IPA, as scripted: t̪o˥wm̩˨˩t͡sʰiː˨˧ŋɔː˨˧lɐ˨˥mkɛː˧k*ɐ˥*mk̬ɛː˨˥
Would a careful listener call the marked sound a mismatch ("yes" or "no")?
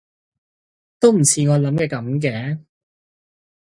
yes